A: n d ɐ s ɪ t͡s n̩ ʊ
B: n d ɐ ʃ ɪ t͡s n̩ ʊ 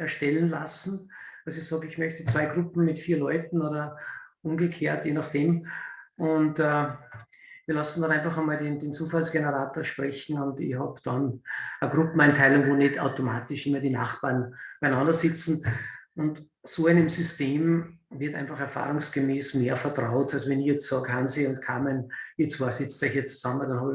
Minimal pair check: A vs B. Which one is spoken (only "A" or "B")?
A